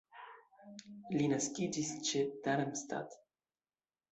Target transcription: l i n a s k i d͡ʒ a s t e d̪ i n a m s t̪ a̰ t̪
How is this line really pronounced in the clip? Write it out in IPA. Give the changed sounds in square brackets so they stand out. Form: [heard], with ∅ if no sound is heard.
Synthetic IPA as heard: l i n a s k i d͡ʒ [i] s [t͡ʃ] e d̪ [a] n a m s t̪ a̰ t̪